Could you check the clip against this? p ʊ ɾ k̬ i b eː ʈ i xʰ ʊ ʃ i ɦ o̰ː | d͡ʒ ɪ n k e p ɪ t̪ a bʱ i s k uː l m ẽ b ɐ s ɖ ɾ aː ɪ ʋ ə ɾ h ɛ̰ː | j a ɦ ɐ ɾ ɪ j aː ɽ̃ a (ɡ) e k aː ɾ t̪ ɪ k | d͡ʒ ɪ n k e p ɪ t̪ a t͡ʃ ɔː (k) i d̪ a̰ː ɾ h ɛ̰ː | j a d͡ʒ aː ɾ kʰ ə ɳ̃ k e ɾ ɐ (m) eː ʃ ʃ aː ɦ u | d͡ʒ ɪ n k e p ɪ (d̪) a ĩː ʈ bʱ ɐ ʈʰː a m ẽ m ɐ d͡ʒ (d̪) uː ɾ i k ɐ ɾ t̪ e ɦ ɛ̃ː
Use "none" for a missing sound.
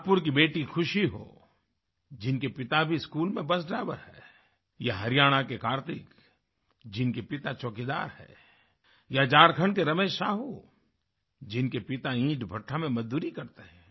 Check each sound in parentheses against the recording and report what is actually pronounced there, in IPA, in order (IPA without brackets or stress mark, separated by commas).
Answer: k, k, m, t̪, d̪